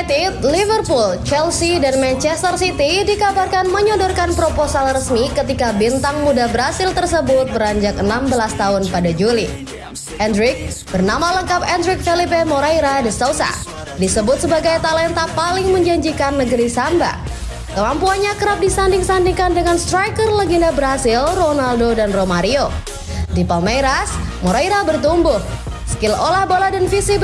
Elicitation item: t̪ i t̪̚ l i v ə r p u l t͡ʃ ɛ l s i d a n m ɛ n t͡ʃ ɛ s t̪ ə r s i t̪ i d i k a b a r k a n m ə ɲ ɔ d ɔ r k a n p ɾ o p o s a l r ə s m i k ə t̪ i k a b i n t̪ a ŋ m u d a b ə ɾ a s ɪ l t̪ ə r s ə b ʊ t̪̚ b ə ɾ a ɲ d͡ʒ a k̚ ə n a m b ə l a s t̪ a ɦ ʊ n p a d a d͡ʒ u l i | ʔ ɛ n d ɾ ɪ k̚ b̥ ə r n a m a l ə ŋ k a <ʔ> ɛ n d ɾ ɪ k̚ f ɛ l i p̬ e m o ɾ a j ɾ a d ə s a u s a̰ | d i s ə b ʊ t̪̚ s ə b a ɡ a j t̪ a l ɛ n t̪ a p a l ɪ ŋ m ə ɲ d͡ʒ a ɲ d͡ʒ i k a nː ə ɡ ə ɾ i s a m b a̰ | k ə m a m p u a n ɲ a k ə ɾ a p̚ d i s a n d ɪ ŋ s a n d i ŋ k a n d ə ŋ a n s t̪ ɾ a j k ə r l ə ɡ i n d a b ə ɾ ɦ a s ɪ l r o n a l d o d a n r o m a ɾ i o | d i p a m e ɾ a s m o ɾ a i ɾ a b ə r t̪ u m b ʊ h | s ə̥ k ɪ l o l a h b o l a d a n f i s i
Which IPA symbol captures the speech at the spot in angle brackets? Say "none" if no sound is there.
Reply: p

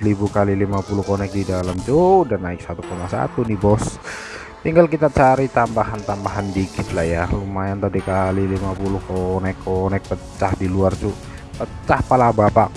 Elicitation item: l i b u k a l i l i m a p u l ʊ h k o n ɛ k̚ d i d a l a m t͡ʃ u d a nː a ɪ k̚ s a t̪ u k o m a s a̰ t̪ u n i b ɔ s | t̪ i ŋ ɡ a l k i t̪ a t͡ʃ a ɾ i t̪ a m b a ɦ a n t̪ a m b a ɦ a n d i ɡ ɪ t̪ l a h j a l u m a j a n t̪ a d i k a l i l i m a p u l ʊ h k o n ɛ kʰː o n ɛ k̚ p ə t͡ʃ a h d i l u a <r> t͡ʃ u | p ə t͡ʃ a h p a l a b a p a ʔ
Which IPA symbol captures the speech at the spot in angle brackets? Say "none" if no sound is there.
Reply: r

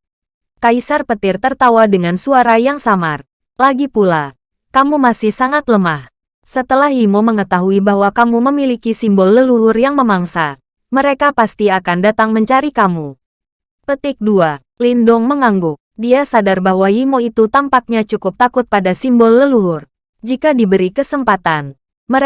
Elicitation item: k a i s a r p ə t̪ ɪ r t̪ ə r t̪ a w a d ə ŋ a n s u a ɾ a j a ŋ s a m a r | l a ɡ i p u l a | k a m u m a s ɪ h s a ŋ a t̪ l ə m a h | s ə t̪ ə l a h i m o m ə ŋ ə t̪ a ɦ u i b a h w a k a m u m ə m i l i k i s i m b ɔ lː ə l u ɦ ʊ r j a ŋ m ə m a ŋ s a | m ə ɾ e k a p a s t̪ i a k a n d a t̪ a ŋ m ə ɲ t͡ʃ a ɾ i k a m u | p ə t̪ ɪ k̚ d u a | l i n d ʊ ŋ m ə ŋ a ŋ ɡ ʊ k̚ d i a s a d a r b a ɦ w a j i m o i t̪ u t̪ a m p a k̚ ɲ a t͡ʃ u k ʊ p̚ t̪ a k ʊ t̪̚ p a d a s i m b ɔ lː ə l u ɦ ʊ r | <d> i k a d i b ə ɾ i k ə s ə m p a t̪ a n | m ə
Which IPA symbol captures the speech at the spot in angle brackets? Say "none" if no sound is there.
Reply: d͡ʒ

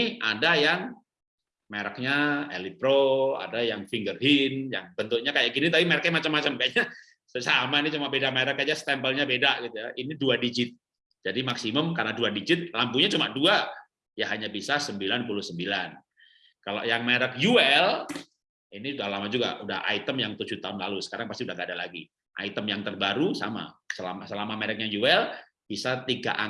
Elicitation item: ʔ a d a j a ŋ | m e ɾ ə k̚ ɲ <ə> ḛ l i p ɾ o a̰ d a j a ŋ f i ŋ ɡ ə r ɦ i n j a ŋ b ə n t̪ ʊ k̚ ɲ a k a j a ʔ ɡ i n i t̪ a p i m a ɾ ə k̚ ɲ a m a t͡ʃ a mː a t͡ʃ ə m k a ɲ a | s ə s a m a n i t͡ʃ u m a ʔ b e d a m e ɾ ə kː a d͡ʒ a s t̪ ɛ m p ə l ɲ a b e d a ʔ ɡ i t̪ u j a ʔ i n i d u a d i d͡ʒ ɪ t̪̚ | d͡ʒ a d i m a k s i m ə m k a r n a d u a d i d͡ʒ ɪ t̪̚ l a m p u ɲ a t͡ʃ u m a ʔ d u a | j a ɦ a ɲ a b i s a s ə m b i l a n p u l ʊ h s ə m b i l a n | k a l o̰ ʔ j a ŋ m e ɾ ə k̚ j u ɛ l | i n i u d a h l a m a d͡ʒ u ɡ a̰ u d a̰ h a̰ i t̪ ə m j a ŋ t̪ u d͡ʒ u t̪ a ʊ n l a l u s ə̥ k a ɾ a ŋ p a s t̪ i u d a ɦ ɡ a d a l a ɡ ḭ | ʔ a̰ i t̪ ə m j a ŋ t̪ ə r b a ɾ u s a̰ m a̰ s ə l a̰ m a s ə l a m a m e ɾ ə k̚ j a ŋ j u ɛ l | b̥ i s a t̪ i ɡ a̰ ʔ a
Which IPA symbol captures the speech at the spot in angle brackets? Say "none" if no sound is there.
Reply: a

